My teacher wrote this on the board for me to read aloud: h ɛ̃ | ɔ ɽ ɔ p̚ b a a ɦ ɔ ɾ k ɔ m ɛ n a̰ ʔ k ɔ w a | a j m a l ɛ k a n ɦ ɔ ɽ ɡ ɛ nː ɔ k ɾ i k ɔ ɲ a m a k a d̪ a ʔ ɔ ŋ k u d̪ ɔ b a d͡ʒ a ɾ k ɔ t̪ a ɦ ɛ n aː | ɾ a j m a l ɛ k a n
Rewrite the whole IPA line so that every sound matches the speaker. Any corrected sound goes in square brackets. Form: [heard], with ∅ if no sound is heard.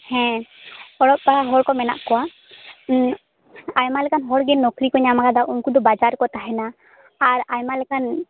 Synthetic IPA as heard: h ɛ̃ | ɔ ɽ ɔ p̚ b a a ɦ ɔ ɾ k ɔ m ɛ n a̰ ʔ k ɔ w a | a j m a l ɛ k a n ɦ ɔ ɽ ɡ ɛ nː ɔ k ɾ i k ɔ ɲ a m a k a d̪ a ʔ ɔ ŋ k u d̪ ɔ b a d͡ʒ a ɾ k ɔ t̪ a ɦ ɛ n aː | ɾ a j m a l ɛ k a n